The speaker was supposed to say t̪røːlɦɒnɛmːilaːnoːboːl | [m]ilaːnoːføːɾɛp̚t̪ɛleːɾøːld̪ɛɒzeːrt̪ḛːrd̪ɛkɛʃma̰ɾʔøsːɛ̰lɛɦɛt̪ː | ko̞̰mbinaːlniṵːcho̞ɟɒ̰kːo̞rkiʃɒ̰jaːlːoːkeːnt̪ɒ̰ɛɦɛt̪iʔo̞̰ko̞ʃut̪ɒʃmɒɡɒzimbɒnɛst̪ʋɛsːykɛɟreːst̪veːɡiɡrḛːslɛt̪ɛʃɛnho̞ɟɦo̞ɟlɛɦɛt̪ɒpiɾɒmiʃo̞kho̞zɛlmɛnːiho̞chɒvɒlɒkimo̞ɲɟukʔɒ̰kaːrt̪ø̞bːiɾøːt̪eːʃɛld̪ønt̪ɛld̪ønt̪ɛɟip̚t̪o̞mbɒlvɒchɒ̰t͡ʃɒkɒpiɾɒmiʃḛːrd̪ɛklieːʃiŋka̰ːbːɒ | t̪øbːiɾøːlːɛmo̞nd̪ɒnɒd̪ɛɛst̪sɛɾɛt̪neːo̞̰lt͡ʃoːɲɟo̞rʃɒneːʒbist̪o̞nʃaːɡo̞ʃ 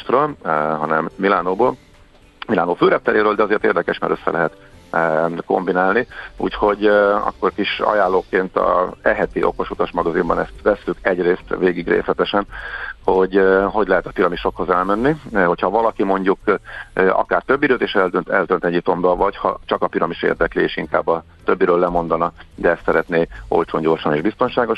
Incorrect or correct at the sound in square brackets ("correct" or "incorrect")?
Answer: correct